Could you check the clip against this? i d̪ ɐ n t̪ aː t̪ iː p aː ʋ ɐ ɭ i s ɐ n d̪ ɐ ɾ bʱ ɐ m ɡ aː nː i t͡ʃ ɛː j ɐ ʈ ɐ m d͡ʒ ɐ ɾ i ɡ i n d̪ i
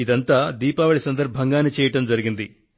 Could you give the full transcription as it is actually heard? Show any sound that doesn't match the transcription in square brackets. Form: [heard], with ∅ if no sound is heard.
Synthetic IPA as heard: i d̪ ɐ n t̪ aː [d̪] iː p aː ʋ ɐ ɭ i s ɐ n d̪ ɐ ɾ bʱ ɐ [ŋ] ɡ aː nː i t͡ʃ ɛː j ɐ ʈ ɐ m d͡ʒ ɐ ɾ i ɡ i n d̪ i